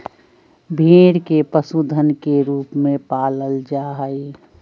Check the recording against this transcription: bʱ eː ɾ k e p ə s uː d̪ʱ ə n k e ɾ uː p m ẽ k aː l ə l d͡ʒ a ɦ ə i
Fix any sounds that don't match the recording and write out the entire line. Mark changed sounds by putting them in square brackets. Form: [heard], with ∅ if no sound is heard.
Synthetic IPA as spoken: bʱ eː ɾ k e p ə s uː d̪ʱ ə n k e ɾ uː p m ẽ [p] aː l ə l d͡ʒ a ɦ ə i